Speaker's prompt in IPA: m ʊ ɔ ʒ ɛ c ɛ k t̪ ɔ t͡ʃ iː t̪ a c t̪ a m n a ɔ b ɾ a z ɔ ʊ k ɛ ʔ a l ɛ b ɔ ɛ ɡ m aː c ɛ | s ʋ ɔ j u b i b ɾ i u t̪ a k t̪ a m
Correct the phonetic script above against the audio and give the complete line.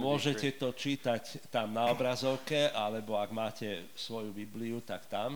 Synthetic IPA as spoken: m ʊ ɔ ʒ ɛ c ɛ t̪ ɔ t͡ʃ iː t̪ a c t̪ a m n a ɔ b ɾ a z ɔ ʊ k ɛ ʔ a l ɛ b ɔ a ɡ m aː c ɛ | s ʋ ɔ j u b i b l i u t̪ a k t̪ a m